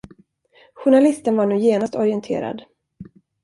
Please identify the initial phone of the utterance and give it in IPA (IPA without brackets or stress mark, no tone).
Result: ɧ